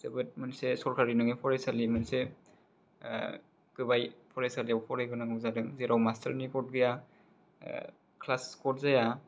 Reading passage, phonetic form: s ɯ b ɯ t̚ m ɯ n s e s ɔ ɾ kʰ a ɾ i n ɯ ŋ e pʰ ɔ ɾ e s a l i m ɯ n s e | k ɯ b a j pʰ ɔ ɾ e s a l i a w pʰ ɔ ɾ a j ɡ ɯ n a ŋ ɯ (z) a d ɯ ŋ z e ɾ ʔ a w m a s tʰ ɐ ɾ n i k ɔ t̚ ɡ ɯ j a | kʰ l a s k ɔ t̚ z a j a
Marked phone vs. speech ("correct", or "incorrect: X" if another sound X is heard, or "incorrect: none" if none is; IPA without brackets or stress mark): correct